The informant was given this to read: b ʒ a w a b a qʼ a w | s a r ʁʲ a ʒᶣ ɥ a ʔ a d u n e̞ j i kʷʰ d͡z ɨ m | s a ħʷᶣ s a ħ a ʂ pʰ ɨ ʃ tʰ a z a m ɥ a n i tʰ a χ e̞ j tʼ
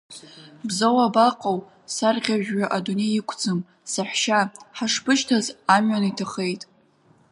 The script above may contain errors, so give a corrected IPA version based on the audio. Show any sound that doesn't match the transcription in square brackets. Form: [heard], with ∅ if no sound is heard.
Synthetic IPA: b [z] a w a b a qʼ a w | s a r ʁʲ a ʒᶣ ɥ a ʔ a d u n e̞ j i kʷʰ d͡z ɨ m | s a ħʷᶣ [ʃ] a ħ a ʂ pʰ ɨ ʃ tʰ a z a m ɥ a n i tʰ a χ e̞ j tʼ